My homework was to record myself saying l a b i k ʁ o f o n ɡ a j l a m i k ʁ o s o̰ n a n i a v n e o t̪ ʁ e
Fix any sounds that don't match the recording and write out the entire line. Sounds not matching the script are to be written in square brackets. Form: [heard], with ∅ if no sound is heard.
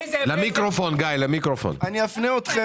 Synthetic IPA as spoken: l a [m] i k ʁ o f o n ɡ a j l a m i k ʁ o [f] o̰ n a n i a [f] n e o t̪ [χ] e

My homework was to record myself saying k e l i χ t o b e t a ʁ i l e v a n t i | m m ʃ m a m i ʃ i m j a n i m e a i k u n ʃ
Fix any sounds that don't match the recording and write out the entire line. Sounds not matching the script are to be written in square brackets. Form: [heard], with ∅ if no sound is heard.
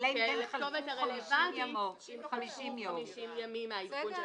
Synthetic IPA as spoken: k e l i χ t o [v] e t a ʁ [e] l e v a n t i | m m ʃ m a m i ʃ i m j a [m] i m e a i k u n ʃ

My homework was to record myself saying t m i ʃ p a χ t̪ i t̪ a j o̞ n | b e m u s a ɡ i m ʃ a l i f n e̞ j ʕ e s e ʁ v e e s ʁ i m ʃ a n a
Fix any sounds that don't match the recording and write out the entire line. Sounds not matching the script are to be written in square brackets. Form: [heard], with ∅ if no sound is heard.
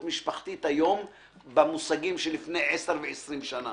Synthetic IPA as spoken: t m i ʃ p a χ t̪ i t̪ a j o̞ [m] | b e m u s a ɡ i m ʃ [e] l i f n e̞ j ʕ e s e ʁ v e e s ʁ i m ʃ a n a

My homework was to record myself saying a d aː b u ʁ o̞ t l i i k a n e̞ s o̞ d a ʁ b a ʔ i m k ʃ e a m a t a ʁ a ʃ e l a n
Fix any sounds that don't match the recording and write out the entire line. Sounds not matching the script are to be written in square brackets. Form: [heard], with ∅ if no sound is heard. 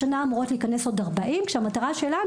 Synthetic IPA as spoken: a [n] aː [m] u ʁ o̞ t l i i k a n e̞ s o̞ d a ʁ b a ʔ i m k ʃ e a m a t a ʁ a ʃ e l a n

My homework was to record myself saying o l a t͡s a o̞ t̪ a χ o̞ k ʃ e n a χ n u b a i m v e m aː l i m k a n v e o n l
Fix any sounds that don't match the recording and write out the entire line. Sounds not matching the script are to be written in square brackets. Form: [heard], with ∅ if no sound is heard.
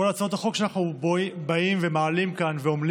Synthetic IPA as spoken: o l a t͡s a o̞ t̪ a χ o̞ k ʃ [a] n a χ n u b a i m v e m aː l i m k a n v e o [m] l

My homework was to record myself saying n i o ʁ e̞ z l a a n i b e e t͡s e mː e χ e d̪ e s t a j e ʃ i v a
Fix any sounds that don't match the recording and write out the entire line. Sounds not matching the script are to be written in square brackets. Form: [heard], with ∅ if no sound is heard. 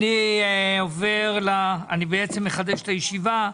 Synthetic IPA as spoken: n i o [v] e̞ [ʁ] l a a n i b e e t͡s e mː e χ [a] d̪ e [ʃ] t a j e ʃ i v a

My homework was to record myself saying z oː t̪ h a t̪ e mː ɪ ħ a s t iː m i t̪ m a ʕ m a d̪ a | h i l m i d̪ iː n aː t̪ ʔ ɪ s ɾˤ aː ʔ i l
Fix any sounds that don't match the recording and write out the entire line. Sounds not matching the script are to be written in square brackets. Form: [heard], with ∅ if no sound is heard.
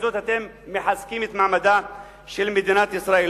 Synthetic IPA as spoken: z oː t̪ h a t̪ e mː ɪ ħ a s [k] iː m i t̪ m a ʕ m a d̪ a | [ʃ] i l m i d̪ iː n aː t̪ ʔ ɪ s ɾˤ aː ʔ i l

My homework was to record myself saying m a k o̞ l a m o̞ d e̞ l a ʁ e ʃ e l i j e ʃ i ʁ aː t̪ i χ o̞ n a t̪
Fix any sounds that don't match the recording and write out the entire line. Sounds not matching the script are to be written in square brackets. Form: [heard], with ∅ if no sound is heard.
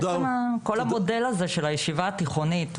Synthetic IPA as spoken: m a k o̞ l a m o̞ d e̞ l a [z] e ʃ e l [a] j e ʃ i [v] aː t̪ i χ o̞ n [i] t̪

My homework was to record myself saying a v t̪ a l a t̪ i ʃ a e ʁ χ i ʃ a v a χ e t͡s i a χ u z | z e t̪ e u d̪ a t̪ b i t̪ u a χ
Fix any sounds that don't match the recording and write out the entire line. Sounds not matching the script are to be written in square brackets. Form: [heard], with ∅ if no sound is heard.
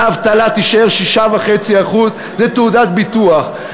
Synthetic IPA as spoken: a v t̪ a l a t̪ i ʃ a e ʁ [ʃ] i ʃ a v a χ e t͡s i a χ u z | z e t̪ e u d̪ a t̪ b i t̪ u a χ

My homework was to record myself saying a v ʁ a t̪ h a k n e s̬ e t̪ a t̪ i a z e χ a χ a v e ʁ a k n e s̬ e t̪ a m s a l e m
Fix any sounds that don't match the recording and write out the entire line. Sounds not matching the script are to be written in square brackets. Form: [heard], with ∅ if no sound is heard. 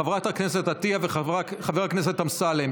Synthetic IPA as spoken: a v ʁ a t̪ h a k n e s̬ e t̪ a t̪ i a [v] e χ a χ a v e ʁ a k n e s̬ e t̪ a m s a l e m

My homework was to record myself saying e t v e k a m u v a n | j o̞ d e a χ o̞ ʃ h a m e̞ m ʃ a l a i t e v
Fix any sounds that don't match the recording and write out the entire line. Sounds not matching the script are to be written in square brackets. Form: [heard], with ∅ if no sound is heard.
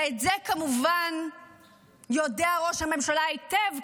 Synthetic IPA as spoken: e t [z] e k a m u v a n | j o̞ d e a [ʁ] o̞ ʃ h a m e̞ m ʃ a l a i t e v

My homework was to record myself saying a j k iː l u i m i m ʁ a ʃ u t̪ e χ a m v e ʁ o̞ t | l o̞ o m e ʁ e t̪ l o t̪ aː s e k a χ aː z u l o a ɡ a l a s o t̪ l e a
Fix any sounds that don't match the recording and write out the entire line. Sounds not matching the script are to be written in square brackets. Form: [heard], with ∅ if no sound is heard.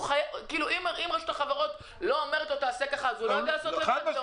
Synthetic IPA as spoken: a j k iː l u i m i m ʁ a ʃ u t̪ [a] χ a [∅] v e ʁ o̞ t | l o̞ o m e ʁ e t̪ l o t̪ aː s e k a χ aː z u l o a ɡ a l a s o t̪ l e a

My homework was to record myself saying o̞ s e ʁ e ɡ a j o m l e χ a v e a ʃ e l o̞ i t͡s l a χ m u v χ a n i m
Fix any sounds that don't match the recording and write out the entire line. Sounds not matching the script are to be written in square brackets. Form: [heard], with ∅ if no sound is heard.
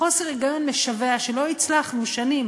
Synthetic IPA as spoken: o̞ s e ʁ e ɡ a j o [n] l e [ʃ] a v e a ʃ e l o̞ i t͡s l a χ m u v [ʃ] a n i m

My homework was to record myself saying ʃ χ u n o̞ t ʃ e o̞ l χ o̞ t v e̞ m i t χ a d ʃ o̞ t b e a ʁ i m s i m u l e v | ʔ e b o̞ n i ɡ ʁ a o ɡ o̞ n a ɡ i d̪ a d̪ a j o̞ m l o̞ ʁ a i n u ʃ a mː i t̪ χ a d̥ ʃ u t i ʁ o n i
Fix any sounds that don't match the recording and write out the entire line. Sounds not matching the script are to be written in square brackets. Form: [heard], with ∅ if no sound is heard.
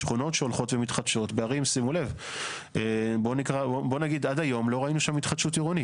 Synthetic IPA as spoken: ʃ χ u n o̞ t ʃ e o̞ l χ o̞ t v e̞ m i t χ a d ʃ o̞ t b e a ʁ i m s i m u l e v | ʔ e b o̞ n i [k] ʁ a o [b] o̞ n a ɡ i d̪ a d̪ a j o̞ m l o̞ ʁ a i n u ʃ a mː i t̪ χ a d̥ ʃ u t i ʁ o n i

